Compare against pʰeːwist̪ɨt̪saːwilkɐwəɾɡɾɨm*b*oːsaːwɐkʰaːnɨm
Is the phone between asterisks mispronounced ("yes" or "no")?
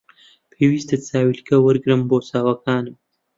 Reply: no